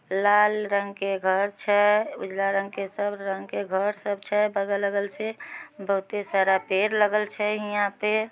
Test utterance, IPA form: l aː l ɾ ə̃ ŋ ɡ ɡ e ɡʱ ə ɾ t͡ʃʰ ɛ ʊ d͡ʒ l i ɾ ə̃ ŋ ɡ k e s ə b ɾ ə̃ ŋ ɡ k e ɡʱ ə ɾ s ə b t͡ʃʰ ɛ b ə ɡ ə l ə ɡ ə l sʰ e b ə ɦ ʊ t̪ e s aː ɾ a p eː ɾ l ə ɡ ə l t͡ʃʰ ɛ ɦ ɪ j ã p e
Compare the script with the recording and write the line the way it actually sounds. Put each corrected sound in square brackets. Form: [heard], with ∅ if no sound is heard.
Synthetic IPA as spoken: l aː l ɾ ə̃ ŋ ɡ [k] e ɡʱ ə ɾ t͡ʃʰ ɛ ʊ d͡ʒ l [a] ɾ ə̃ ŋ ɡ k e s ə b ɾ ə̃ ŋ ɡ k e ɡʱ ə ɾ s ə b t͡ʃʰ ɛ b ə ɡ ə l ə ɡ ə l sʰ e b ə ɦ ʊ t̪ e s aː ɾ a p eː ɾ l ə ɡ ə l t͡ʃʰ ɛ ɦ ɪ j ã p e